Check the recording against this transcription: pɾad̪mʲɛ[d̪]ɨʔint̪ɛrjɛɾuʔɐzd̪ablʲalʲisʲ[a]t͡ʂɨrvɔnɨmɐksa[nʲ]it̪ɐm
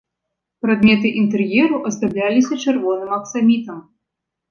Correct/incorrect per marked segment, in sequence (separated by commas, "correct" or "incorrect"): incorrect, incorrect, incorrect